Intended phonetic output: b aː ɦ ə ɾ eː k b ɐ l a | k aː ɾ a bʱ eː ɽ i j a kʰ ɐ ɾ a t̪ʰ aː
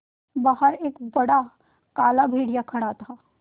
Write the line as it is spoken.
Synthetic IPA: b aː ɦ ə ɾ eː k b ɐ ɽ a | k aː l a bʱ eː ɽ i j a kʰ ɐ ɽ a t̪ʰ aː